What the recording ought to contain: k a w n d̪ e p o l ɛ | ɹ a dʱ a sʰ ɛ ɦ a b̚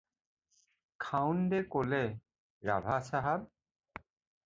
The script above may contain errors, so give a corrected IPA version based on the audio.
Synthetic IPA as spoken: kʰ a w n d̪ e k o l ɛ | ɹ a bʱ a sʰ a ɦ a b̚

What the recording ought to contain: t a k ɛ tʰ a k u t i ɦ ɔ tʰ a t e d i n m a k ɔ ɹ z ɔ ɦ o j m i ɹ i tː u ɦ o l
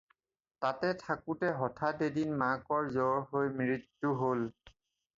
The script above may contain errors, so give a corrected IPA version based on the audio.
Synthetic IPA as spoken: t a t ɛ tʰ a k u t ɛ ɦ ɔ tʰ a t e d i n m a k ɔ ɹ z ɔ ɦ o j m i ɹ i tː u ɦ o l

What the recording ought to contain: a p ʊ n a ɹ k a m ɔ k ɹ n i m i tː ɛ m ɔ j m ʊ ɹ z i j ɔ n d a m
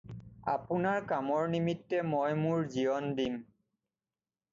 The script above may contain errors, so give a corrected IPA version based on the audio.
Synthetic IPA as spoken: a p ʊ n a ɹ k a m ɔ ɹ n i m i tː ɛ m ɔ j m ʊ ɹ z i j ɔ n d i m

